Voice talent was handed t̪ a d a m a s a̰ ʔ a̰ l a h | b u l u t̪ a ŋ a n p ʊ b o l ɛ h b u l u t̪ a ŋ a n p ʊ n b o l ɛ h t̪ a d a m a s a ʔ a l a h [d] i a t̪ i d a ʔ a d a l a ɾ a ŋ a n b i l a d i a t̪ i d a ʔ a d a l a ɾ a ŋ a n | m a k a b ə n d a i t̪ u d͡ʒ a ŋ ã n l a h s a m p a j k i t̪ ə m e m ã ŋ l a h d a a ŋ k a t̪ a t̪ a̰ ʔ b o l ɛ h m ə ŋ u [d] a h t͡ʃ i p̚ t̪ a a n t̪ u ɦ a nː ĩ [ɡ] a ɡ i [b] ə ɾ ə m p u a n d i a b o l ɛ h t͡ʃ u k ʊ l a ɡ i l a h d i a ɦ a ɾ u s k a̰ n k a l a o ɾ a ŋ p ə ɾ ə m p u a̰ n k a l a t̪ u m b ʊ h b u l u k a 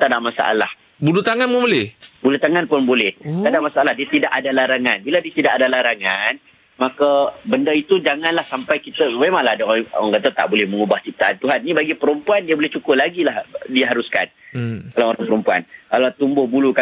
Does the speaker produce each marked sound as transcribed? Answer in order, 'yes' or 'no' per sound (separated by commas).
yes, no, no, no